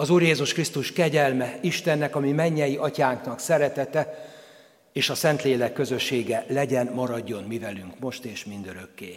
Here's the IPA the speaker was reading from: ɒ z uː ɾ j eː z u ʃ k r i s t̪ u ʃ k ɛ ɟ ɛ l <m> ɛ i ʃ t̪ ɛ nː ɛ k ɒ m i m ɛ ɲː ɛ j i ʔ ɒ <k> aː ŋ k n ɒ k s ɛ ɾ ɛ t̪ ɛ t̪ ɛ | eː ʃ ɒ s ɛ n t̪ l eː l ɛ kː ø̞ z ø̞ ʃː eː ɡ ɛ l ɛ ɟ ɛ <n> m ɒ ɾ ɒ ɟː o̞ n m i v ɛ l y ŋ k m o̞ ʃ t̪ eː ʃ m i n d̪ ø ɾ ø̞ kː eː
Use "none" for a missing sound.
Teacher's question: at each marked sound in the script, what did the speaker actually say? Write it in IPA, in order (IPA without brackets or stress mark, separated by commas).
m, c, n